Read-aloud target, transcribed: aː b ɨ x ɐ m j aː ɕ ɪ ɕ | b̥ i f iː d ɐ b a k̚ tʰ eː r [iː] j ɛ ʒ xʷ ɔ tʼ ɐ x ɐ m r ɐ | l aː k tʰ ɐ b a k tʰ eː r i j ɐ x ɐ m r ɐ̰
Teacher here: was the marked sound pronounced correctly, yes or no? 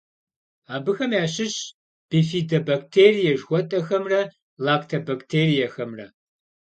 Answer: no